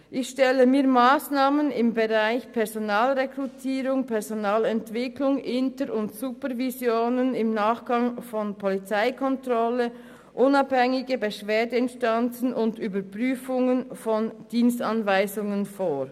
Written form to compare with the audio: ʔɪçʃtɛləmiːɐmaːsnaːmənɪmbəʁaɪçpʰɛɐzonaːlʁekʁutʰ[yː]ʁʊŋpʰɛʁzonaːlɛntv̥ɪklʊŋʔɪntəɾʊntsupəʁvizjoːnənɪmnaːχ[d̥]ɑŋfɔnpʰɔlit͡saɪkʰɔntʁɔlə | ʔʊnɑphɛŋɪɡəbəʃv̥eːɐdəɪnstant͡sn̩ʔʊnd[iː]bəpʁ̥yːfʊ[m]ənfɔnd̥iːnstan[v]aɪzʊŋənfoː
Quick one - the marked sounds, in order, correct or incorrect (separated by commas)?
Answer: incorrect, incorrect, incorrect, incorrect, correct